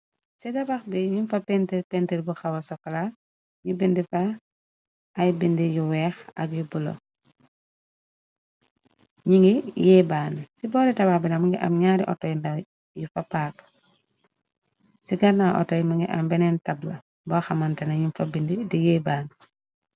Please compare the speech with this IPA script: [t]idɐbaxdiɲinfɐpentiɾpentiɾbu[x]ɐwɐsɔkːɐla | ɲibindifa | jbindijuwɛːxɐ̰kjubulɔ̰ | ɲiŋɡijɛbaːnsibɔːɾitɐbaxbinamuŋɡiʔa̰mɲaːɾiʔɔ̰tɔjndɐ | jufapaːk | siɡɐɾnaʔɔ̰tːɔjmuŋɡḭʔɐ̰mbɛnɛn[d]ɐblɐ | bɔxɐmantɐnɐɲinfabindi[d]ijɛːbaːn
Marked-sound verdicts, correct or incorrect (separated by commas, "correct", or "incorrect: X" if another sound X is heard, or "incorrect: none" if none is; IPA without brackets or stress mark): incorrect: s, correct, incorrect: t, correct